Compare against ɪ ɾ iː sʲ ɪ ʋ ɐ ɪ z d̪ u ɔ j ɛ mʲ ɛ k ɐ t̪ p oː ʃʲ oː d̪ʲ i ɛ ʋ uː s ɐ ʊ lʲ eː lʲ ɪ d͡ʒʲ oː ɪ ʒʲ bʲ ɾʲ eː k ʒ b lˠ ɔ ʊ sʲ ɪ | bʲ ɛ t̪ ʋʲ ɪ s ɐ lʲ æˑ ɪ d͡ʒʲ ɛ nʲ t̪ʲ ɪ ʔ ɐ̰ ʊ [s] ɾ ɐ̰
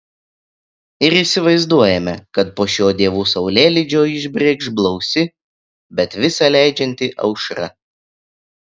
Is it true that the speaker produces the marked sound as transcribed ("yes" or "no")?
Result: no